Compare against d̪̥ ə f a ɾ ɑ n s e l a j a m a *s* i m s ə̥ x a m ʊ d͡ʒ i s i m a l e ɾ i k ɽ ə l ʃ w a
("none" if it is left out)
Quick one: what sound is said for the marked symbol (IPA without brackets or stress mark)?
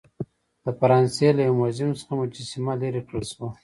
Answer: z